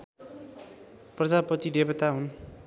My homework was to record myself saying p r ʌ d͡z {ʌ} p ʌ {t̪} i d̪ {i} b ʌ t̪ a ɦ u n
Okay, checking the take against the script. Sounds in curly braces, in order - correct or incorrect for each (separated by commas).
incorrect, correct, incorrect